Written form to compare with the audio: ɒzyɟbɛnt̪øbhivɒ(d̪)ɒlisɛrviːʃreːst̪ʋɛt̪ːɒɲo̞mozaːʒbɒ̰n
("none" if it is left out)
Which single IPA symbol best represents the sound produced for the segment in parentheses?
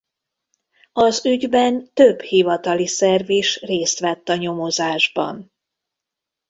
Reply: t̪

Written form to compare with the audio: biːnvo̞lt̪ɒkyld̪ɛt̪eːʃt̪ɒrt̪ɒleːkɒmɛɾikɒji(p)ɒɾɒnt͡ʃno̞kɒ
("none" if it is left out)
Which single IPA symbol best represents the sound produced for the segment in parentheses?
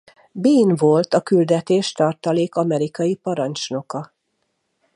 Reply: p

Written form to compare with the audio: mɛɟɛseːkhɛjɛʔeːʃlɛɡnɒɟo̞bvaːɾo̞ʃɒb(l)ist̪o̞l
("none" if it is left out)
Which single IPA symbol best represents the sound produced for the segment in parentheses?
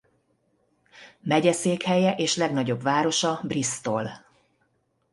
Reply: r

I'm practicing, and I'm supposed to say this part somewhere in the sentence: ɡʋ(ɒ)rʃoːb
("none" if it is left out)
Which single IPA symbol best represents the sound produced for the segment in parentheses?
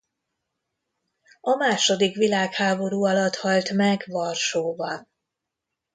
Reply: ɒ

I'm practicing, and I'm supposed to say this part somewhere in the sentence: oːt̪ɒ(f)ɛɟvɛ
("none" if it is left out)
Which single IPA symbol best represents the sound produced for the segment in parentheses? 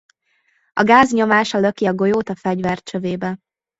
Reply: f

